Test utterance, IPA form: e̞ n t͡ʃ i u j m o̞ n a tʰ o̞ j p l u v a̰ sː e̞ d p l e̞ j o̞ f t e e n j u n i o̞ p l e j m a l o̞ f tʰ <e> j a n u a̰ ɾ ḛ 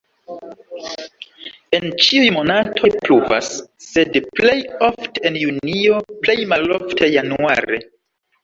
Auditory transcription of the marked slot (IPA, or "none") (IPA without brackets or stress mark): e